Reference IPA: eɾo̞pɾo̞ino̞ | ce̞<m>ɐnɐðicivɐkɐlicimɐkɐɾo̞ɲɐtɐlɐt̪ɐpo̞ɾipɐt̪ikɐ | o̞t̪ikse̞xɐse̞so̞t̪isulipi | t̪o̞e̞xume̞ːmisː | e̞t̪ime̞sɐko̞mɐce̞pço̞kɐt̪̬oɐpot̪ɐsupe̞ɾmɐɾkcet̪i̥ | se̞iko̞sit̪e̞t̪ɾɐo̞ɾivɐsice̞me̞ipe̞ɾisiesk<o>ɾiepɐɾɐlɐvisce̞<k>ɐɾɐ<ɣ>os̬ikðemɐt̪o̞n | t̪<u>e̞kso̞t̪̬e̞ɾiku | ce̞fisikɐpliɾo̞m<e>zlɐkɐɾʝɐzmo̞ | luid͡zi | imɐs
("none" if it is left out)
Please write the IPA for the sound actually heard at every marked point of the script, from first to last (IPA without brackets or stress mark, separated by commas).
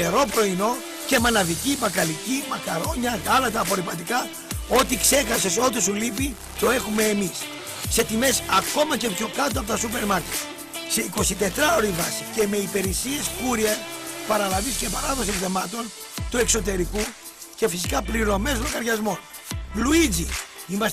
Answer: m, u, p, ð, u, e